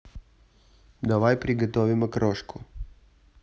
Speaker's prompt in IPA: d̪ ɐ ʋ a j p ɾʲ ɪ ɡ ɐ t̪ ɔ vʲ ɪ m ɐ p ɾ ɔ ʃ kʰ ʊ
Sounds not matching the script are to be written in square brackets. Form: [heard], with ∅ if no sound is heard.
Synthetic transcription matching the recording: d̪ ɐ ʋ a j p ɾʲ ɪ ɡ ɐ t̪ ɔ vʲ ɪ m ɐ [k] ɾ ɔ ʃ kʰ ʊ